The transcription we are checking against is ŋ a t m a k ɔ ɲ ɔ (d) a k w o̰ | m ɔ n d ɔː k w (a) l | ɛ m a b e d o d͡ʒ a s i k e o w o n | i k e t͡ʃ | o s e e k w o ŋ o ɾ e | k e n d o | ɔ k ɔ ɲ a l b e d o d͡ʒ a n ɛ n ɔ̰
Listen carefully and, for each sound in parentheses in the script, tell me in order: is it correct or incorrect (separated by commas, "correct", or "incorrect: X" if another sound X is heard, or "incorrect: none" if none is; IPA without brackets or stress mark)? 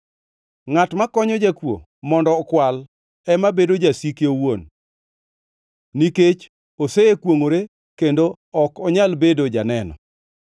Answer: incorrect: d͡ʒ, correct